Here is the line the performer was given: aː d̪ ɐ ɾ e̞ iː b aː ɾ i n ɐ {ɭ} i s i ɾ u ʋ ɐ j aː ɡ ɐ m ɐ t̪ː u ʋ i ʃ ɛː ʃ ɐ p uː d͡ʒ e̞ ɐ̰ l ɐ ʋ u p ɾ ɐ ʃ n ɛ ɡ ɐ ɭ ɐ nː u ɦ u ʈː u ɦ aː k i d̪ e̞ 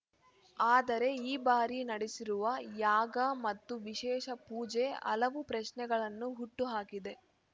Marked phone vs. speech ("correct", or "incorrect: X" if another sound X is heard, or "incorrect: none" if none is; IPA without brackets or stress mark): incorrect: ɽ